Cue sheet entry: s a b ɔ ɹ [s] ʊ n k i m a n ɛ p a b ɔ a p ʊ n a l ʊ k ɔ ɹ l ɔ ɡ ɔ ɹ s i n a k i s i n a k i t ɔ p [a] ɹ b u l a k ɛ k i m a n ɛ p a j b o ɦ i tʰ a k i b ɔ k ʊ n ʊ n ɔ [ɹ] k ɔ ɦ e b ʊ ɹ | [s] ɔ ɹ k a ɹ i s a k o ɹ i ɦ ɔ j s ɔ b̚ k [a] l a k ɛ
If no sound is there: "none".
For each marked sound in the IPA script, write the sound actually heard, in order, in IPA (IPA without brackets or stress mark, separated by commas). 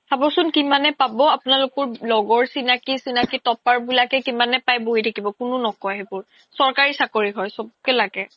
s, a, none, s, ɛ